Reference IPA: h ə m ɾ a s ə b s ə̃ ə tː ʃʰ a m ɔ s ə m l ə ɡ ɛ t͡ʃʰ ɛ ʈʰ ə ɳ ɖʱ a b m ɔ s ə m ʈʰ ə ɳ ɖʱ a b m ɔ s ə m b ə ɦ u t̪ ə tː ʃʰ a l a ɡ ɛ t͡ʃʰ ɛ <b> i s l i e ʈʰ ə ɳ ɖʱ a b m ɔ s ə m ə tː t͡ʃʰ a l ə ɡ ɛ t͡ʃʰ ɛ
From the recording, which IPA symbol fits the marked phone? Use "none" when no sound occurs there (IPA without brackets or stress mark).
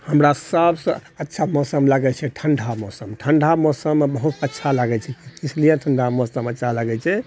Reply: none